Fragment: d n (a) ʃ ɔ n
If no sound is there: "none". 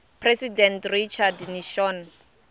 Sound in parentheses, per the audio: i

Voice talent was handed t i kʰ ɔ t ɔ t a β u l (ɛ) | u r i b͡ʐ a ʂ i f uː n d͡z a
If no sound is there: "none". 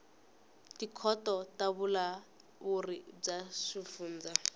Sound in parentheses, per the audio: a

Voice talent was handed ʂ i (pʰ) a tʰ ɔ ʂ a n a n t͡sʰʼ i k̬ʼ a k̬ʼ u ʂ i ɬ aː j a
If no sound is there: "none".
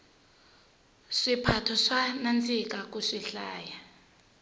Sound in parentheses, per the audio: pʰ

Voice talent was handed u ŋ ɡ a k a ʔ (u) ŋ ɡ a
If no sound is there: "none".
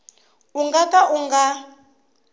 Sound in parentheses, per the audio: u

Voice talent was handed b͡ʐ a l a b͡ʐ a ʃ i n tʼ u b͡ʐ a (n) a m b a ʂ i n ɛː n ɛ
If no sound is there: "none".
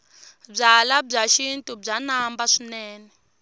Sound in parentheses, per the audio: n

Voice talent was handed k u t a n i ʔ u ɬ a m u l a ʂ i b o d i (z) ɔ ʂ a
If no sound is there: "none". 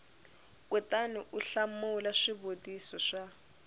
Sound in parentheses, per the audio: s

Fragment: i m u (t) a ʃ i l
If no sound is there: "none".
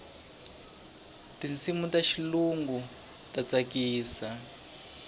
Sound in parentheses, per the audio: t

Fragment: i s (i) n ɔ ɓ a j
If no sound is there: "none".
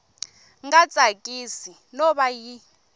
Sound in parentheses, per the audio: i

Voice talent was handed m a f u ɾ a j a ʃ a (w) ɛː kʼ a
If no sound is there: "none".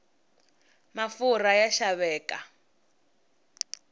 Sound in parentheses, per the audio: β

